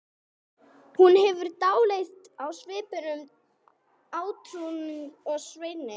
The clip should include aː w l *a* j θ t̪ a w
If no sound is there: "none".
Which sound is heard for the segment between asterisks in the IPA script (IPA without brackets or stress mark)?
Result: e